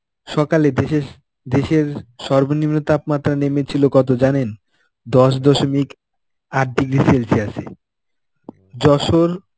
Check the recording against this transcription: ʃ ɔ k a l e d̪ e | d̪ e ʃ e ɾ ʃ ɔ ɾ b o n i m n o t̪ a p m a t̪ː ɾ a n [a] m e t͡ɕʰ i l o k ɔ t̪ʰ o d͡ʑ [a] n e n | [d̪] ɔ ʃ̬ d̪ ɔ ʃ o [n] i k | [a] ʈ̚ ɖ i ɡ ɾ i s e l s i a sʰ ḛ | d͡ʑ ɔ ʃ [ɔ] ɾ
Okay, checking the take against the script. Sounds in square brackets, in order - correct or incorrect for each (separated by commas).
incorrect, correct, correct, incorrect, correct, incorrect